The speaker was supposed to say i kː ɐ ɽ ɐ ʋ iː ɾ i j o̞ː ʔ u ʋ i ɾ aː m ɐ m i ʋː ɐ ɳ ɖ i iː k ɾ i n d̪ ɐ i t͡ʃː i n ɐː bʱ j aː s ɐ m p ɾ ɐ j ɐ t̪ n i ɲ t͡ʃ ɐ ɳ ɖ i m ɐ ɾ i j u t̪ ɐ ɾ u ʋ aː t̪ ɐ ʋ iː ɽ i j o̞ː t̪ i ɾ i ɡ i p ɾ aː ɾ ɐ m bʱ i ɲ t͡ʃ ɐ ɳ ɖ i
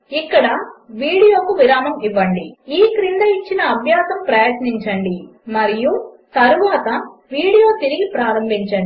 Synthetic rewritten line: i kː ɐ ɽ ɐ ʋ iː ɽ i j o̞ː k u ʋ i ɾ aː m ɐ m i ʋː ɐ ɳ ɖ i iː k ɾ i n d̪ ɐ i t͡ʃː i n ɐː bʱ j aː s ɐ m p ɾ ɐ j ɐ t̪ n i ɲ t͡ʃ ɐ ɳ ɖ i m ɐ ɾ i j u t̪ ɐ ɾ u ʋ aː t̪ ɐ ʋ iː ɽ i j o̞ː t̪ i ɾ i ɡ i p ɾ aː ɾ ɐ m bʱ i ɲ t͡ʃ ɐ ɳ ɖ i